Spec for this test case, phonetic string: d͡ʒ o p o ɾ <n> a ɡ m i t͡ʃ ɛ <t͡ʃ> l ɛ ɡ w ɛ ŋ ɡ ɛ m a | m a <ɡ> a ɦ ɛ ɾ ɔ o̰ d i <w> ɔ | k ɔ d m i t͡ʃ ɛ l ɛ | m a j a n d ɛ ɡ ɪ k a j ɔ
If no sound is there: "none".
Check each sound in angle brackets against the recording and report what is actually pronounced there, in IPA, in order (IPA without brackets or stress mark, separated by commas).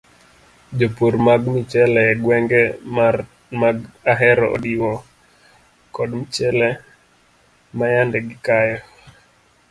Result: m, none, ɡ, w